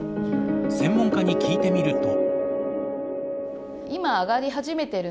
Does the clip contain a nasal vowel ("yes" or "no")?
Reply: yes